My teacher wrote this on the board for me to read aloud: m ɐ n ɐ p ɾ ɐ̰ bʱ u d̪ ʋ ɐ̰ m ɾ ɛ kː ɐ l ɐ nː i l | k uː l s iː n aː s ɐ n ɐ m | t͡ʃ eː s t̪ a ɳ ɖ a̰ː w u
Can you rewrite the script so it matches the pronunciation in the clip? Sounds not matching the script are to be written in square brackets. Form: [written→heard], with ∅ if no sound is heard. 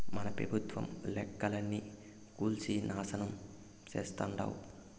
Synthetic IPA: m ɐ n ɐ p ɾ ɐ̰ bʱ u [d̪→t̪] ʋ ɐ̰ m [ɾ→l] ɛ kː ɐ l ɐ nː i [l→∅] | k uː l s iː n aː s ɐ n ɐ m | t͡ʃ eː s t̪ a ɳ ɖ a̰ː w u